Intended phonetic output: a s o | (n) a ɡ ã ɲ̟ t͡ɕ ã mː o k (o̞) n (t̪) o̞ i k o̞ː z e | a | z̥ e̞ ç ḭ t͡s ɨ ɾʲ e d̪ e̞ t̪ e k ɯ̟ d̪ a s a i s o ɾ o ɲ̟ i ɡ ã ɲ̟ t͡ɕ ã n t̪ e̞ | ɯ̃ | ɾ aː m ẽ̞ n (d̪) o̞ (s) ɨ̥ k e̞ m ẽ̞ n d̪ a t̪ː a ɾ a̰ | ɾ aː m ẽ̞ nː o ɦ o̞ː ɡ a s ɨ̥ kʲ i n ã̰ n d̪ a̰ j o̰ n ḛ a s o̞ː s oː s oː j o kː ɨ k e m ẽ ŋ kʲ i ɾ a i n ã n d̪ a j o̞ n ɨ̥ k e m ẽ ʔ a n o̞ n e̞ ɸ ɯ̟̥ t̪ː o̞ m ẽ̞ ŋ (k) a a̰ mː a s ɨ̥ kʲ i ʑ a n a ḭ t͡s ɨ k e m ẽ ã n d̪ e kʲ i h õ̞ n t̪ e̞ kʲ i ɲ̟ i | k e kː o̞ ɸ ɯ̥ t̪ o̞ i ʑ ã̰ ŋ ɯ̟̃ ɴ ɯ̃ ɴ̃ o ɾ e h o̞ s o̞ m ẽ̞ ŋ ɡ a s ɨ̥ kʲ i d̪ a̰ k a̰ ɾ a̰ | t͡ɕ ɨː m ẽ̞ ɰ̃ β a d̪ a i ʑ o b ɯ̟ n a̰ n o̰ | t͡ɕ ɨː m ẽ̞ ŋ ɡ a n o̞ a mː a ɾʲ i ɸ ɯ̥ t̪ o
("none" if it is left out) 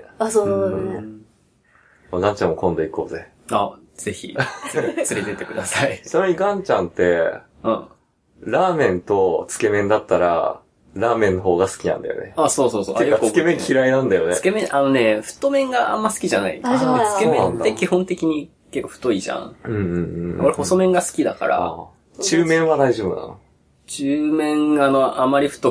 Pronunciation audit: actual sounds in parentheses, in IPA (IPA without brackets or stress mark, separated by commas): m, õ̞, d̪, t̪, t͡s, ɡ